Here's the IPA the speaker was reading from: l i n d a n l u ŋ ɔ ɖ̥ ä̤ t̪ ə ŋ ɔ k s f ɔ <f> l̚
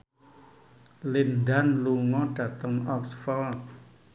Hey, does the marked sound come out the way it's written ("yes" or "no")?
no